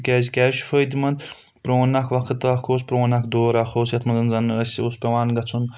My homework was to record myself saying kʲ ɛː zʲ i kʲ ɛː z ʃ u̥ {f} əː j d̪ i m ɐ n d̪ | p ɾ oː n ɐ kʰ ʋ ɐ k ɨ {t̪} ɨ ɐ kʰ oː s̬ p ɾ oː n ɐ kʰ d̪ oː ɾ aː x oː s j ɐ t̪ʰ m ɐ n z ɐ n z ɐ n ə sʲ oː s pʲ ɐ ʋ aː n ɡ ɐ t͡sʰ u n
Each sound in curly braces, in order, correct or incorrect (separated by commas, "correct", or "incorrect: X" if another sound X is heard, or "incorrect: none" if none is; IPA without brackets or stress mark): correct, correct